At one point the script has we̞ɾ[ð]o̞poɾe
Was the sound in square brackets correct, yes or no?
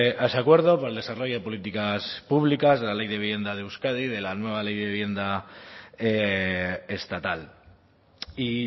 yes